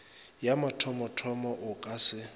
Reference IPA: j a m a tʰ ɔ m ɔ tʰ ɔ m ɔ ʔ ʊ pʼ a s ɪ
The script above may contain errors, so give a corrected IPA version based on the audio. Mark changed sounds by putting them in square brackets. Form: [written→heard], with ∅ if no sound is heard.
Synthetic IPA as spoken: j a m a tʰ ɔ m ɔ tʰ ɔ m ɔ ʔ ʊ [pʼ→kʼ] a s ɪ